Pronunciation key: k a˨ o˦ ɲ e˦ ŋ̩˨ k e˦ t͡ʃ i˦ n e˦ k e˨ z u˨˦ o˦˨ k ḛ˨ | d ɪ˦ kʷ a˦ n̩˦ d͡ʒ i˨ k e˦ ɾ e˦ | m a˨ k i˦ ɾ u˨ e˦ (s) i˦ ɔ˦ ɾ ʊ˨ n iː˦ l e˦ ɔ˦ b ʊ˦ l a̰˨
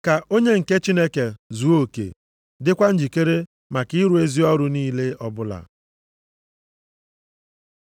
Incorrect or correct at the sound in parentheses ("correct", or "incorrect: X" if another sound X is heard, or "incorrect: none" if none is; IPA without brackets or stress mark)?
incorrect: z